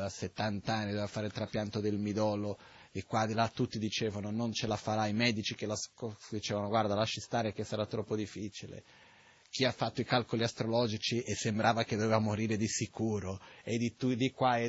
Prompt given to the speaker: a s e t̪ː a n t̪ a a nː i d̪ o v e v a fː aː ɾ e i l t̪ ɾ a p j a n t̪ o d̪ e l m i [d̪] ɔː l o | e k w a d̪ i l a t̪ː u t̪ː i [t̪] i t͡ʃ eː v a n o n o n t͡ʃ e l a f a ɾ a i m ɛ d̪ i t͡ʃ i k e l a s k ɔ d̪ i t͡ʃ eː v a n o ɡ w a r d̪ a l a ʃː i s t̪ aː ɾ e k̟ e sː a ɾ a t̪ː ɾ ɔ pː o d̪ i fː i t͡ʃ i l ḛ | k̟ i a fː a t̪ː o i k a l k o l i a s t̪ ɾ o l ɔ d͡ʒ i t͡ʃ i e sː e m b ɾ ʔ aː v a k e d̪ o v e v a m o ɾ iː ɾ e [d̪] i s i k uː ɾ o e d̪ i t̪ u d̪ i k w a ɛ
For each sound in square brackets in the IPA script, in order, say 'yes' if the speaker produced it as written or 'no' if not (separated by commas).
yes, no, yes